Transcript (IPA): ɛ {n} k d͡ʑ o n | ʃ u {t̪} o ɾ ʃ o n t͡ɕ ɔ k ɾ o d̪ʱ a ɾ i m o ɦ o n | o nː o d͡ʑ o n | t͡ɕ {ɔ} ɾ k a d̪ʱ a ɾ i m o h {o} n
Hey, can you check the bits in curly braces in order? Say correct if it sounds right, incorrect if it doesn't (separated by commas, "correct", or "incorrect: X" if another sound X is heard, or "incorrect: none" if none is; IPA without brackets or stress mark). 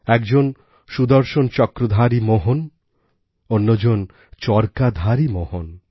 incorrect: none, incorrect: d̪, correct, correct